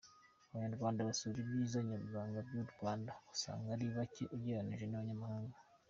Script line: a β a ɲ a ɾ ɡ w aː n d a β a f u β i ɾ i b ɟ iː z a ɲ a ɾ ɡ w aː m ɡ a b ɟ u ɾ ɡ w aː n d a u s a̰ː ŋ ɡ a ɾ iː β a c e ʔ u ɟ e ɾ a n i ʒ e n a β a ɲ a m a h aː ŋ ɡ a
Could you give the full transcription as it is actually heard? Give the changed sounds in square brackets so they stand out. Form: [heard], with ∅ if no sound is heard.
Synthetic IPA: a β a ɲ a ɾ ɡ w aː n d a β a [s] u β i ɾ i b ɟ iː z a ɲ a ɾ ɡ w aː [ŋ] ɡ a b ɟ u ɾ ɡ w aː n d a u s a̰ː ŋ ɡ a ɾ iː β a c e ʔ u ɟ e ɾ a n i ʒ e n a β a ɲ a m a h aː ŋ ɡ a